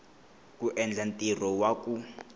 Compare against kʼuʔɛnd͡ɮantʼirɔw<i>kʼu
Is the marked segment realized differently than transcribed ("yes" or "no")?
yes